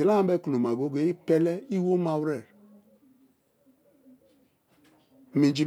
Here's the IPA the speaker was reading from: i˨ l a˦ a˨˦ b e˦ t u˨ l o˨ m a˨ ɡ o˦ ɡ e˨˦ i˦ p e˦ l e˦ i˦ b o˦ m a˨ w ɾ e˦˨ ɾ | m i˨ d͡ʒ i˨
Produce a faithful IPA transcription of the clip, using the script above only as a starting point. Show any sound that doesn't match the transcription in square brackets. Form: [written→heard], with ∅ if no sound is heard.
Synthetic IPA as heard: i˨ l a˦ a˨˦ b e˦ [t→k] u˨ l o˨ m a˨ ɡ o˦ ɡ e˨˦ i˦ p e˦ l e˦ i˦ [b→w] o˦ m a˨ w ɾ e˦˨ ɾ | m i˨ d͡ʒ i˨